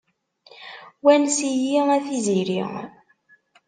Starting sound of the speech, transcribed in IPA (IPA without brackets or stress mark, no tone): w